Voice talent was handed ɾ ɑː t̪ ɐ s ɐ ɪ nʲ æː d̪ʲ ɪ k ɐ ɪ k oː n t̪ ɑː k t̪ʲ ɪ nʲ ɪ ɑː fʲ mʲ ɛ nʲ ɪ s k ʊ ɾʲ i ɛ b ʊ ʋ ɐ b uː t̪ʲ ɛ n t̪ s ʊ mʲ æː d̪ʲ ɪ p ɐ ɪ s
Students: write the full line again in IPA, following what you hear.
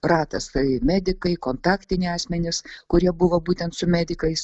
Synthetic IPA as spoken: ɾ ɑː t̪ ɐ s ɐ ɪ mʲ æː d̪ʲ ɪ k ɐ ɪ k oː n t̪ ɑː k t̪ʲ ɪ nʲ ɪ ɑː sʲ mʲ ɛ nʲ ɪ s k ʊ ɾʲ i ɛ b ʊ ʋ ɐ b uː t̪ʲ ɛ n t̪ s ʊ mʲ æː d̪ʲ ɪ k ɐ ɪ s